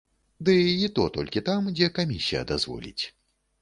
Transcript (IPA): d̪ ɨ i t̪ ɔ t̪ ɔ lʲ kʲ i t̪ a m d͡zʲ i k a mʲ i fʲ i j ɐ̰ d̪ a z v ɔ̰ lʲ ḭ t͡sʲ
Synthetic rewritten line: d̪ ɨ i t̪ ɔ t̪ ɔ lʲ kʲ i t̪ a m d͡zʲ ɛ k a mʲ i sʲ i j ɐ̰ d̪ a z v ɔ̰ lʲ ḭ t͡sʲ